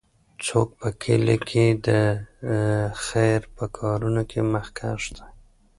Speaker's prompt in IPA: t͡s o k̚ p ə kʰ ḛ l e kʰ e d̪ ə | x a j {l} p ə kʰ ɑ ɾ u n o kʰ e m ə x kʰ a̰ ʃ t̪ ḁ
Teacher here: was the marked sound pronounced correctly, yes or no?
no